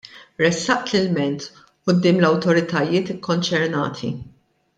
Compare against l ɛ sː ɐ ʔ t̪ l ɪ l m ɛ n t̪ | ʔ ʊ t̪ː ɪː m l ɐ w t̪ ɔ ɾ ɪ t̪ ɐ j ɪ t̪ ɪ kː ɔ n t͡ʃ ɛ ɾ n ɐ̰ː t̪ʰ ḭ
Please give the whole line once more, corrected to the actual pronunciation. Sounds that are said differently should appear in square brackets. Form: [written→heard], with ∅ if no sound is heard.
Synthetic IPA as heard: [l→ɾ] ɛ sː ɐ ʔ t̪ l ɪ l m ɛ n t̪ | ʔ ʊ [t̪ː→d̪ː] ɪː m l ɐ w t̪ ɔ ɾ ɪ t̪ ɐ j [ɪ→ɪː] t̪ ɪ kː ɔ n t͡ʃ ɛ ɾ n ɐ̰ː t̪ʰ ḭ